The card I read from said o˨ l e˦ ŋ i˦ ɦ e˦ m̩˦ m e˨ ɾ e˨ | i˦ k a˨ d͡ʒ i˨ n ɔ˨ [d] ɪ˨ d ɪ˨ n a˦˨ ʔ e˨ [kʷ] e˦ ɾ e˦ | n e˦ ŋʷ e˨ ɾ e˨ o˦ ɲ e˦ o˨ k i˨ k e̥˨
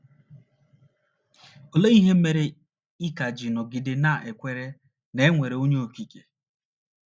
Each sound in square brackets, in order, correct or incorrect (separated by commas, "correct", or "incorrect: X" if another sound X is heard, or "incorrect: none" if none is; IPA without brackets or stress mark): incorrect: ɡ, correct